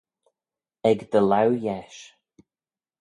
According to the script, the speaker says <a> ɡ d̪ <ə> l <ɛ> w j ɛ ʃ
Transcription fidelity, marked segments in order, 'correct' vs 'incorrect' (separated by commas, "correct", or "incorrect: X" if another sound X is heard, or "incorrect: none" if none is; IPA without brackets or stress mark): incorrect: ɛ, correct, incorrect: a